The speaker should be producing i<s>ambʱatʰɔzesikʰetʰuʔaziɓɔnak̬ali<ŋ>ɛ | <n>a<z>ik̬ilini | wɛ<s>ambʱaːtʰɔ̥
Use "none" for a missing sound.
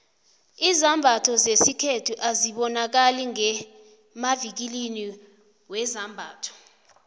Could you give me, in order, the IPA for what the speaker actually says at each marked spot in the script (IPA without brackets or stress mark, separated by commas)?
z, ŋ, m, v, z